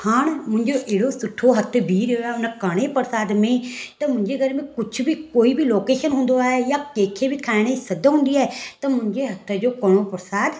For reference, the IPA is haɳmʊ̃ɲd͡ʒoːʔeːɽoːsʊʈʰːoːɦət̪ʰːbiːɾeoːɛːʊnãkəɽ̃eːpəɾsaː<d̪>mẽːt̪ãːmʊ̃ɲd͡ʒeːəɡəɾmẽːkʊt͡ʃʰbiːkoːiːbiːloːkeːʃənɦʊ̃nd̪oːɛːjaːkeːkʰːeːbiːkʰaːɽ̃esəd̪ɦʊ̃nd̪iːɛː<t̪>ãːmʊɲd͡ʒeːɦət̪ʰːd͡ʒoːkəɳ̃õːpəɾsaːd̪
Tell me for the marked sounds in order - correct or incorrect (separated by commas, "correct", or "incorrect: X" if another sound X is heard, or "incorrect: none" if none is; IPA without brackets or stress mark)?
correct, correct